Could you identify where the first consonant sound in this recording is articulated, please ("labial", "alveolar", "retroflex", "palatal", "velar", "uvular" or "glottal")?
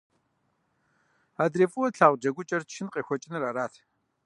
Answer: alveolar